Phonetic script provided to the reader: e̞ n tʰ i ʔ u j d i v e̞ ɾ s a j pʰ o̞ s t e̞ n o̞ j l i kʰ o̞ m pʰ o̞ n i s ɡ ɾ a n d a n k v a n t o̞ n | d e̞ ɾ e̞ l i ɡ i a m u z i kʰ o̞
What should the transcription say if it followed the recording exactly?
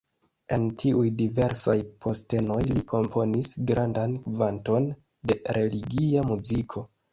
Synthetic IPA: e̞ n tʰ i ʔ u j d i v e̞ ɾ s a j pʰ o̞ s t e̞ n o̞ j l i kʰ o̞ m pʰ o̞ n i s ɡ ɾ a n d a n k v a n t o̞ n | d e̞ ɾ e̞ l i ɡ i a m u z i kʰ o̞